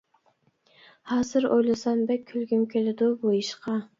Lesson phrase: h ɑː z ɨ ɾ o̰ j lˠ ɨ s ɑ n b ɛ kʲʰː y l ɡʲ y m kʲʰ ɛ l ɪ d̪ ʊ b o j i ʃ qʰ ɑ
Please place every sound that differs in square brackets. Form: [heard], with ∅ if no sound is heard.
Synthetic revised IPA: h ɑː z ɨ ɾ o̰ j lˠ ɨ s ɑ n b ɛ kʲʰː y l ɡʲ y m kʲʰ [e] l ɪ d̪ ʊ b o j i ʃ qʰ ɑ